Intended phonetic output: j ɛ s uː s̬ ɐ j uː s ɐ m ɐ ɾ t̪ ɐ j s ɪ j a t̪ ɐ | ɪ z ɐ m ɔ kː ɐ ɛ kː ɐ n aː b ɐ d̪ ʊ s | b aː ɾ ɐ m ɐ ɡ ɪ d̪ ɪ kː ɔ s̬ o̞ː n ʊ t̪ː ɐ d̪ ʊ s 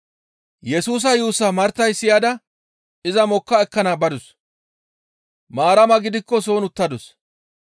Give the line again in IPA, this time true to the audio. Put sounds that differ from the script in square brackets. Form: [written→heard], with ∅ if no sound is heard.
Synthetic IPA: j ɛ s uː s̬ ɐ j uː s ɐ m ɐ ɾ t̪ ɐ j s ɪ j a [t̪→d̪] ɐ | ɪ z ɐ m ɔ kː ɐ ɛ kː ɐ n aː b ɐ d̪ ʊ s | [b→m] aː ɾ ɐ m ɐ ɡ ɪ d̪ ɪ kː ɔ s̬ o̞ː n ʊ t̪ː ɐ d̪ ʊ s